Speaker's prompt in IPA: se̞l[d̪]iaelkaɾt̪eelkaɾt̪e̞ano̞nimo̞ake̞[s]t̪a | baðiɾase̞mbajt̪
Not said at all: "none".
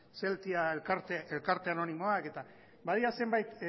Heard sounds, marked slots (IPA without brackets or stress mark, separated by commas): t̪, none